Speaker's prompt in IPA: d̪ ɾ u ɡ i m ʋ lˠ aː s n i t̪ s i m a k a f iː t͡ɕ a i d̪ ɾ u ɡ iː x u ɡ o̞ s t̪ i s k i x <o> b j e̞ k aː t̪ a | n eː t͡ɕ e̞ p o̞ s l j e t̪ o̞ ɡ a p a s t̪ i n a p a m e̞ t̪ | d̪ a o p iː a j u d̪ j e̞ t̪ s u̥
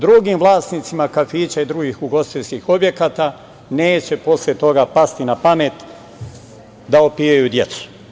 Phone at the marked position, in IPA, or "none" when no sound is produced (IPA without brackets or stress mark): o